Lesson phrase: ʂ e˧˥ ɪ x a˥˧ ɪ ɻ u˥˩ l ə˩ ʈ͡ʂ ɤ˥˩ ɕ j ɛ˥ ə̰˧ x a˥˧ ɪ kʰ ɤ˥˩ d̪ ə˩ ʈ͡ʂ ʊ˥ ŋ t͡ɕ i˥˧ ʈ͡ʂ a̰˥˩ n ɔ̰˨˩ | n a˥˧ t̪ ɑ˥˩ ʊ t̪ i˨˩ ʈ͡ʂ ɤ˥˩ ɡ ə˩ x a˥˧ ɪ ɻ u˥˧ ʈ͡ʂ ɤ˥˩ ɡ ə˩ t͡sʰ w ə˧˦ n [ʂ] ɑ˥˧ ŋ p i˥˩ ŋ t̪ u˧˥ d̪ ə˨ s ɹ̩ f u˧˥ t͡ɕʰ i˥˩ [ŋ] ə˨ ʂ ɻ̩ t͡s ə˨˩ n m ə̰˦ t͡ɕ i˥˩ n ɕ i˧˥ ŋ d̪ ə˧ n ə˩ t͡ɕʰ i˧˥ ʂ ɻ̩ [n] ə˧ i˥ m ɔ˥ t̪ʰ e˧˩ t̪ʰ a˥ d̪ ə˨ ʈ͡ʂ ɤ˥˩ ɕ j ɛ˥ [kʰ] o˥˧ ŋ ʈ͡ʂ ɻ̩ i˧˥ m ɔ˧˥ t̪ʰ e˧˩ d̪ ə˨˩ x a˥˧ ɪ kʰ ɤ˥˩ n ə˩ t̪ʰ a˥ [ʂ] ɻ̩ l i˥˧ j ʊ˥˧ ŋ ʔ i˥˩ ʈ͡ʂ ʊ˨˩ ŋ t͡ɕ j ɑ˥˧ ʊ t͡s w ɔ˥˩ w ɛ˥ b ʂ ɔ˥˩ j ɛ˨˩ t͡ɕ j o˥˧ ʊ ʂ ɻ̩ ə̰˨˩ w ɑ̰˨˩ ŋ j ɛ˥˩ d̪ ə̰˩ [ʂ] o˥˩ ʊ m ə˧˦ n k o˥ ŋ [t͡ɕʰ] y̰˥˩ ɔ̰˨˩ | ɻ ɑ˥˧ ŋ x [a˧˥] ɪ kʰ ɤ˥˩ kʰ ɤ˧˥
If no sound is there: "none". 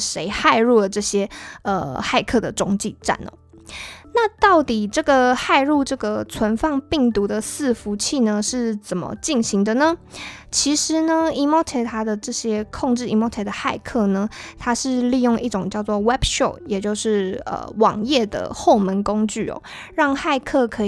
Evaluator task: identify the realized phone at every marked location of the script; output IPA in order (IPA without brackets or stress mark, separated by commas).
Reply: f, n, n, kʰ, ʂ, x, t͡ɕ, a˥˧